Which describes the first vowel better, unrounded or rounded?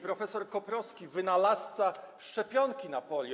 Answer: rounded